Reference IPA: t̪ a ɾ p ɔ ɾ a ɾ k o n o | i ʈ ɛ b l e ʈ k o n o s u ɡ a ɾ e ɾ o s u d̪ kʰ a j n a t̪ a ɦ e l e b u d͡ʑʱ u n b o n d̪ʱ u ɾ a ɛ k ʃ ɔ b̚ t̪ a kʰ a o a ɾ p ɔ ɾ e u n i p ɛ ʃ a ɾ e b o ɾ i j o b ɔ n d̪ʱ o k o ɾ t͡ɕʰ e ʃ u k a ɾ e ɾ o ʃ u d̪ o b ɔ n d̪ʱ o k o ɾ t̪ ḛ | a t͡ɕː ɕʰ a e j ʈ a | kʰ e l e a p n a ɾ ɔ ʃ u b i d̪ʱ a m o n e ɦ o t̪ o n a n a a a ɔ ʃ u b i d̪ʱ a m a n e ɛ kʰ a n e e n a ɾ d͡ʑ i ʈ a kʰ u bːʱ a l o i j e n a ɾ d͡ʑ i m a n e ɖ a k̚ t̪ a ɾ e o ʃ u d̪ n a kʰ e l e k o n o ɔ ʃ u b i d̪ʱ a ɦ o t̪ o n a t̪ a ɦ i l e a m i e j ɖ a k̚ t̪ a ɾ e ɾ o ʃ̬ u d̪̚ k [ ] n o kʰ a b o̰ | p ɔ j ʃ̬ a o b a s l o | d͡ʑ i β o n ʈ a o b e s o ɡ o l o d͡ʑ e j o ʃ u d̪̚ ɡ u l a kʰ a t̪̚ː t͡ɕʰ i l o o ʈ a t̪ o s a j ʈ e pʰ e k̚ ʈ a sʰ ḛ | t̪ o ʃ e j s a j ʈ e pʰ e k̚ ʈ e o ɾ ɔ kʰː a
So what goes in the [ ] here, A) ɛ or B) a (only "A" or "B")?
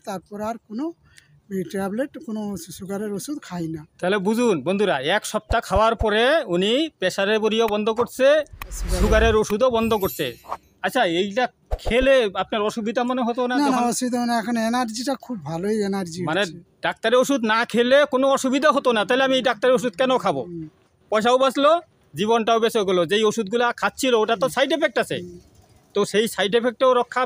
A